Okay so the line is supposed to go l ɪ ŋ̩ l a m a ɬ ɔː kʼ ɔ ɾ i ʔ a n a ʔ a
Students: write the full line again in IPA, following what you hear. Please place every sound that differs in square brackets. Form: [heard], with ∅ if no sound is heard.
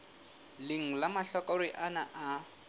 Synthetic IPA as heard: l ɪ ŋ̩ l a m a ɬ [ɔ] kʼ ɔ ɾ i ʔ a n a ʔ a